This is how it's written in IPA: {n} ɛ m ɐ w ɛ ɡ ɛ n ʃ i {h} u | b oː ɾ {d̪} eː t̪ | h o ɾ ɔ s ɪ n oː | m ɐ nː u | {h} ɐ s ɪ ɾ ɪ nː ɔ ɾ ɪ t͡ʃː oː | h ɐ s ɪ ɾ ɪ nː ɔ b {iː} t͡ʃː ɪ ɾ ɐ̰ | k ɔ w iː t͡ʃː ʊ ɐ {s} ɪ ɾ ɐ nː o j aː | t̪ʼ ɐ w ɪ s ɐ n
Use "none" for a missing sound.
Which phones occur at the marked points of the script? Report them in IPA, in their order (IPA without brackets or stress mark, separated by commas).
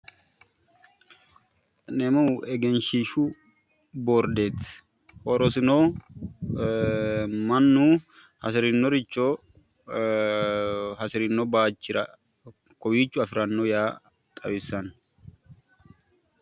n, ʃ, d̪, h, aː, f